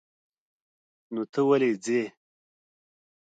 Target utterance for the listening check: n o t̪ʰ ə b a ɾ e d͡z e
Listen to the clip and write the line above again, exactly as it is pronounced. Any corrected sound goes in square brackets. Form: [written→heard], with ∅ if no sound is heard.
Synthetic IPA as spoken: n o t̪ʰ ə [b→w] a [ɾ→l] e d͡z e